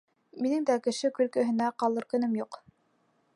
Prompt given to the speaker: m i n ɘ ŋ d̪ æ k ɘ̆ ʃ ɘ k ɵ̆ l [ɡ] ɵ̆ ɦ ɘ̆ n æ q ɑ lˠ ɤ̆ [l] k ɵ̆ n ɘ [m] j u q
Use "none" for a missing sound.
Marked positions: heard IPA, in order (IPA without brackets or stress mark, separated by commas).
k, ɾ, m